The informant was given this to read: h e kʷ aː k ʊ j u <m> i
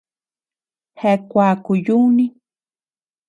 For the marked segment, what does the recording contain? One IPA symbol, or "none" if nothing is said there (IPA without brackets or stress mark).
n